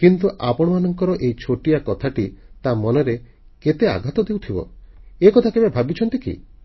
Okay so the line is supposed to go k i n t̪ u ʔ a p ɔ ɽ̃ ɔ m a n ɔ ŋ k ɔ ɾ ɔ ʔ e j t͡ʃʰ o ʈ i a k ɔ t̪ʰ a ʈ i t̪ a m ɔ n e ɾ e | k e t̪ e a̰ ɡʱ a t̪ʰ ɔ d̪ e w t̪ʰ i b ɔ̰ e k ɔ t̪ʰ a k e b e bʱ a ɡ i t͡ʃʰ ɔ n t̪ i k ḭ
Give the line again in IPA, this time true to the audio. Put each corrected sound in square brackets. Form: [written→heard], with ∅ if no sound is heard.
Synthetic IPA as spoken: k i n t̪ u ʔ a p ɔ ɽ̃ ɔ m a n ɔ ŋ k ɔ ɾ ɔ ʔ e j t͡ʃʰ o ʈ i a k ɔ t̪ʰ a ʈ i t̪ a m ɔ n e ɾ e | k e t̪ e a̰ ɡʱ a [t̪ʰ→t̪] ɔ d̪ e w t̪ʰ i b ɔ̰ e k ɔ t̪ʰ a k e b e bʱ a [ɡ→b] i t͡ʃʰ ɔ n t̪ i k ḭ